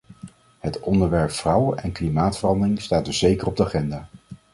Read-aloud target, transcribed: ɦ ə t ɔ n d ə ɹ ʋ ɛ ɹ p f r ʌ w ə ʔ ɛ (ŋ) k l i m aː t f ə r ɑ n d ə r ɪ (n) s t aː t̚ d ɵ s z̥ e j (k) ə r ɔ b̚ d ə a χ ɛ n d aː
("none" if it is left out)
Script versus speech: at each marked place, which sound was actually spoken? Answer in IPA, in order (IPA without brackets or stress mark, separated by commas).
n, ŋ, k